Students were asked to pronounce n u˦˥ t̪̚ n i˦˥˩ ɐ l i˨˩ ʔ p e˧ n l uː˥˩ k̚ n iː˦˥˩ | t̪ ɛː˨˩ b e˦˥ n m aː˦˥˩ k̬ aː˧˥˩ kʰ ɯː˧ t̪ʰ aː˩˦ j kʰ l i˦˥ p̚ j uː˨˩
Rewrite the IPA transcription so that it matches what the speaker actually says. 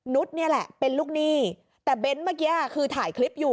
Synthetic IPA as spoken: n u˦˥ t̪̚ n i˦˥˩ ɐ l ɛ˨˩ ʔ p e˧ n l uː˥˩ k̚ n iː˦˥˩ | t̪ ɛː˨˩ b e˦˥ n m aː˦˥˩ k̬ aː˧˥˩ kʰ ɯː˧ t̪ʰ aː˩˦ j kʰ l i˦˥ p̚ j uː˨˩

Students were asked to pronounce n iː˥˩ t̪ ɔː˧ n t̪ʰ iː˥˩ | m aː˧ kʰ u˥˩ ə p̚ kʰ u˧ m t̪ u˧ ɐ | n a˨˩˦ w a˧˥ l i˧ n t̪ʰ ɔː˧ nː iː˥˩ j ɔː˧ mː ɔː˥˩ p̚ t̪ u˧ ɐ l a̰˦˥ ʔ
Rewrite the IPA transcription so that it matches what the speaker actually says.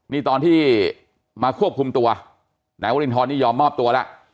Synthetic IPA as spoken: n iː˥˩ t̪ ɔː˧ n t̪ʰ iː˥˩ | m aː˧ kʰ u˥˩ ə p̚ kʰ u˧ m t̪ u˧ ɐ | n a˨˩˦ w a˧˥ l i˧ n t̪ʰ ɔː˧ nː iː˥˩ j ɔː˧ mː ɔː˥˩ p̚ t̪ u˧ ɐ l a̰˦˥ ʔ

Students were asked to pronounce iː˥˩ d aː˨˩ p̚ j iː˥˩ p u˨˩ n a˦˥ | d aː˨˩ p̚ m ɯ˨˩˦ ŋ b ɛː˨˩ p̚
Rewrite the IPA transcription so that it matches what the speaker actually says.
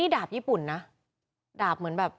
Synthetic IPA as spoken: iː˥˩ d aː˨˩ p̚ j iː˥˩ p u˨˩ nː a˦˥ | d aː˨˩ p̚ m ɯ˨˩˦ n b ɛː˨˩ p̚

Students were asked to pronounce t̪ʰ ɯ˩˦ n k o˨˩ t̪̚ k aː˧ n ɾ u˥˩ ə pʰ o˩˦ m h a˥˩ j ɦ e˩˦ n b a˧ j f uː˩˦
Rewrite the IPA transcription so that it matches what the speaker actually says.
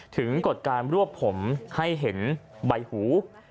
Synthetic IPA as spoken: t̪ʰ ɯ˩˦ ŋ k o˨˩ t̪̚ k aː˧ n ɾ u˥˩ ə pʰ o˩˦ m h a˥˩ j ɦ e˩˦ n b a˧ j h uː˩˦

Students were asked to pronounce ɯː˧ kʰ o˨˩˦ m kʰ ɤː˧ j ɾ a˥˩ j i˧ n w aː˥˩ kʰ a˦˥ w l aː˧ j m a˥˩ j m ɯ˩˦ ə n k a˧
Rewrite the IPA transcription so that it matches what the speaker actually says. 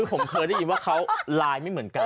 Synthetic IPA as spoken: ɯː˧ pʰ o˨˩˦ m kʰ ɤː˧ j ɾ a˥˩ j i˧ n w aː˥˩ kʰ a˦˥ w l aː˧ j m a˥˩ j m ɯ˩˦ ə n k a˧

